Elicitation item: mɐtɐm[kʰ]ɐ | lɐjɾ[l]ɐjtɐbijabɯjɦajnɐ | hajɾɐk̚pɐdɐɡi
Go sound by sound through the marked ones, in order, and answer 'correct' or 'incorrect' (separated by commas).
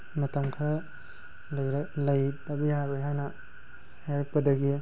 correct, correct